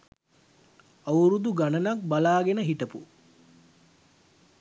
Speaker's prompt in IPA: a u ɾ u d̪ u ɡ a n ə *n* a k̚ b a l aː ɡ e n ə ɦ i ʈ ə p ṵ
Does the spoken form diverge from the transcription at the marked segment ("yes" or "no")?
no